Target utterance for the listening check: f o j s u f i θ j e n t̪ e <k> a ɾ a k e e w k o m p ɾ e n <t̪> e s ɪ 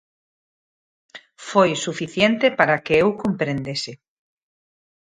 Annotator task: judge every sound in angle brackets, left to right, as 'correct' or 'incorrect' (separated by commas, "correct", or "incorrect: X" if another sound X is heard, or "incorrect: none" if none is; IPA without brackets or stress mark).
incorrect: p, incorrect: d̪